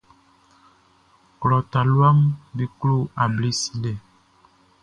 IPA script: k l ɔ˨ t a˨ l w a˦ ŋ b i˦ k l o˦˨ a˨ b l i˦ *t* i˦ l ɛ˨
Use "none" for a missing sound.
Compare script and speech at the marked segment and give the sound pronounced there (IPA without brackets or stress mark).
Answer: s